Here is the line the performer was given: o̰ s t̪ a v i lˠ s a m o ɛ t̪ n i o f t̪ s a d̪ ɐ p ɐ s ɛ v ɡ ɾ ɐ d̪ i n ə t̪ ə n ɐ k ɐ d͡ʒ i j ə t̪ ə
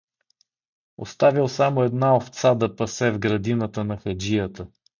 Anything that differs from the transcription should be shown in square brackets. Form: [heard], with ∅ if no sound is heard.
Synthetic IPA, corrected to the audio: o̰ s t̪ a v i lˠ s a m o ɛ [d̪] n [a] o f t̪ s a d̪ ɐ p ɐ s ɛ v ɡ ɾ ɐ d̪ i n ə t̪ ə n ɐ [x] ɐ d͡ʒ i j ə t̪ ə